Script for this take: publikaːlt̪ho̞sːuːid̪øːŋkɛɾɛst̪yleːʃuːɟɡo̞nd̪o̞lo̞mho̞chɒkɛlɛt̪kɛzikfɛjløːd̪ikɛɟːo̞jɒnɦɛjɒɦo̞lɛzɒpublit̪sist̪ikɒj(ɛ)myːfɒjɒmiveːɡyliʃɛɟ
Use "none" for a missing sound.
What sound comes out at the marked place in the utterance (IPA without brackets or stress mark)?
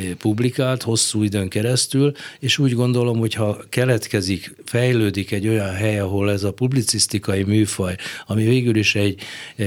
i